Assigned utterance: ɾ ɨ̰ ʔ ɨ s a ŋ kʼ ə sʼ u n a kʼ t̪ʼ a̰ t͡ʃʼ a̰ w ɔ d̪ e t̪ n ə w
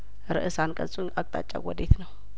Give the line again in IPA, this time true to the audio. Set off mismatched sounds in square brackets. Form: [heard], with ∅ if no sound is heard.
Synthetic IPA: ɾ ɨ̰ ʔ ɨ s a [n] kʼ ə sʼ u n a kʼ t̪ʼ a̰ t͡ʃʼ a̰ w ɔ d̪ e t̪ n ə w